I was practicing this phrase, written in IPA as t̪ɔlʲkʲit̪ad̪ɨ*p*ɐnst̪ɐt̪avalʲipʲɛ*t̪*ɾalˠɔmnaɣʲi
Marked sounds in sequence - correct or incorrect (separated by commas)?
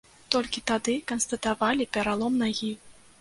incorrect, incorrect